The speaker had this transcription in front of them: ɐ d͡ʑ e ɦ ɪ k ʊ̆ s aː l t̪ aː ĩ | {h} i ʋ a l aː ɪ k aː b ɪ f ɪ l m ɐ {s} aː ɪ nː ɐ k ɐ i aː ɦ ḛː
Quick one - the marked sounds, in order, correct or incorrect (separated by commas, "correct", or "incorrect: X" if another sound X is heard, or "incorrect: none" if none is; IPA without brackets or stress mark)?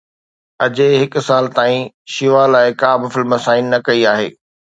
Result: incorrect: ʃ, correct